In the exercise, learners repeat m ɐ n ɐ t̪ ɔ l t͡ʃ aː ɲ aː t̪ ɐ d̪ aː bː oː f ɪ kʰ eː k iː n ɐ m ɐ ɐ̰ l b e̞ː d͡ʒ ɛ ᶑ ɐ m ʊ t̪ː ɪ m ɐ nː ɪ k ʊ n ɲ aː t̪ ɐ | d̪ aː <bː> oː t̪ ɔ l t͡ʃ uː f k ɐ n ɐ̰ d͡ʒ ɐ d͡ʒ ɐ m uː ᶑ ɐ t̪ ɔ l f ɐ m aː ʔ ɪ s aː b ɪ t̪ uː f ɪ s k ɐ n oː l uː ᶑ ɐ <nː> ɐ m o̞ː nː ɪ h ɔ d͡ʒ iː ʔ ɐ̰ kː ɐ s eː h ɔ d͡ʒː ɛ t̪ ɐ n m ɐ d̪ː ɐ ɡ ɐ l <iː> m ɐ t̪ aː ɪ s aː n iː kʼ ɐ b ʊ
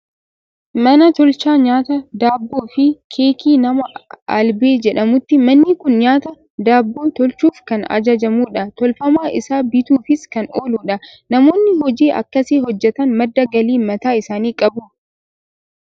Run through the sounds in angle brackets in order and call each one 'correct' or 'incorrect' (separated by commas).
correct, incorrect, correct